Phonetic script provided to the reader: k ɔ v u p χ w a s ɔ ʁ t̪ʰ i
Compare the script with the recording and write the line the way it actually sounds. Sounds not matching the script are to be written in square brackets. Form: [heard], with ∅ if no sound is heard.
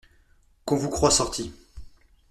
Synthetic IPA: k [ɔ̃] v u [k] χ w a s ɔ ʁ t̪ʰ i

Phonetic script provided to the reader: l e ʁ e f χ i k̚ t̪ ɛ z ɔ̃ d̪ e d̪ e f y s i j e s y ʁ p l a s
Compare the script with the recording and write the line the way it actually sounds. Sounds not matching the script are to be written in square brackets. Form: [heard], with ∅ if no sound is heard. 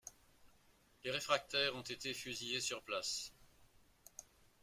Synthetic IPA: l e ʁ e f χ [a] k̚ t̪ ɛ [ʁ] ɔ̃ [t̪] e [t̪] e f y [z] i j e s y ʁ p l a s

